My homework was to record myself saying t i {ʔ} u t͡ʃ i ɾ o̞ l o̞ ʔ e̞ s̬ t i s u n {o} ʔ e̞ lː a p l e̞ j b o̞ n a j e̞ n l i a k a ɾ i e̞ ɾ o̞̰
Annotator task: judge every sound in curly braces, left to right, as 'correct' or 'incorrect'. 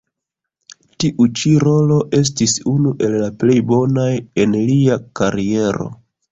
correct, incorrect

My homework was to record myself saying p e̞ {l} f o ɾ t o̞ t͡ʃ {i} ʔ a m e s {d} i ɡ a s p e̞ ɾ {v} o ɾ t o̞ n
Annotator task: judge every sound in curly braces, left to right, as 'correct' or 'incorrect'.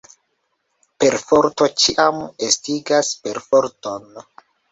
incorrect, correct, incorrect, incorrect

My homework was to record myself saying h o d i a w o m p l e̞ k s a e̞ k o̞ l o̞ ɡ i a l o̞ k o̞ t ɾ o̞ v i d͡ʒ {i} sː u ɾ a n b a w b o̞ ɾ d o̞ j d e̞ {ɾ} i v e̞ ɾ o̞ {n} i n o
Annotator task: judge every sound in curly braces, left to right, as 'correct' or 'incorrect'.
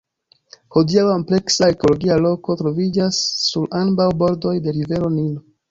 incorrect, correct, correct

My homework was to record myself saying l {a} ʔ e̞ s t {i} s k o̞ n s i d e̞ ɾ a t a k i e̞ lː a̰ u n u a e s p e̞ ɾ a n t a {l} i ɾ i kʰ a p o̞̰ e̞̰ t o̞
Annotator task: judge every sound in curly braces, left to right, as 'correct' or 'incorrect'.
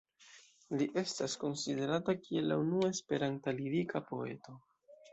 incorrect, incorrect, correct

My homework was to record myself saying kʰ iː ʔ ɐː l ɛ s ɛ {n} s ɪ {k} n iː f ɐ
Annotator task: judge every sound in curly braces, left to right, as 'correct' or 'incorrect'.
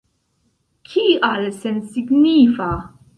correct, incorrect

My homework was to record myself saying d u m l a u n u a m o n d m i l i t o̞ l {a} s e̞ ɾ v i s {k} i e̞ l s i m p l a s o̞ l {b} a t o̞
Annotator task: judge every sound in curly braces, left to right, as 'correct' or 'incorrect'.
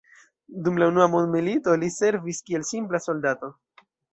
incorrect, correct, incorrect

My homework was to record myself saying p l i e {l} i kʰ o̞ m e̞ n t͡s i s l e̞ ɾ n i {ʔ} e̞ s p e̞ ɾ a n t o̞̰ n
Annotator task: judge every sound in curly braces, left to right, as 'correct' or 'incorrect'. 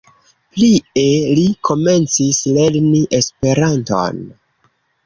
correct, correct

